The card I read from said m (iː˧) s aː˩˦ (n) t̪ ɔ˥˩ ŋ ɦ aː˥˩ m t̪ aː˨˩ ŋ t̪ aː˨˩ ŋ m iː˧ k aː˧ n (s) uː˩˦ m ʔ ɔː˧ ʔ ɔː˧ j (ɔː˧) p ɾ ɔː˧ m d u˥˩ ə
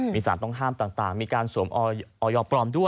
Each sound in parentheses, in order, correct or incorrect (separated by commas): correct, correct, correct, correct